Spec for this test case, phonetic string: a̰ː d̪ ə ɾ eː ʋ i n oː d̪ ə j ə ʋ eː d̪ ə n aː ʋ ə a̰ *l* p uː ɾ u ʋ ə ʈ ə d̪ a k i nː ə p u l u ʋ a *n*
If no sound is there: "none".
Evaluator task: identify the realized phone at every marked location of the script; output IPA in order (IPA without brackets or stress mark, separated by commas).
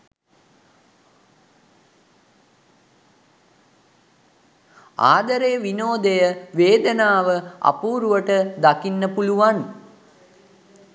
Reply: none, n